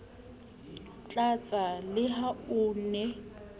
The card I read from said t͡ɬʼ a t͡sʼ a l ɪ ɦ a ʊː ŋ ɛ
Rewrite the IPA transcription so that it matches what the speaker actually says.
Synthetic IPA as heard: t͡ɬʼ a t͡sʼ a l ɪ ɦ a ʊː n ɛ